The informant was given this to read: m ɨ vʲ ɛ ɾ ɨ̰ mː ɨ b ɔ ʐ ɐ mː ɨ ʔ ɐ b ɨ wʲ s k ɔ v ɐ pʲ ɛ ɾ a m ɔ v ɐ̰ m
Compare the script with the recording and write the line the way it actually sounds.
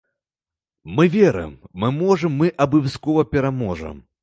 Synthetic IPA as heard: m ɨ vʲ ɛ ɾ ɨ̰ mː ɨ m ɔ ʐ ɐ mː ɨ ʔ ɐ b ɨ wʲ s k ɔ v ɐ pʲ ɛ ɾ a m ɔ ʐ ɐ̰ m